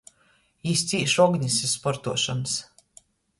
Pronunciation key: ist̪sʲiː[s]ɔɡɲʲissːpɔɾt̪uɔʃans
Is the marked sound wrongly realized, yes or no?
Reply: yes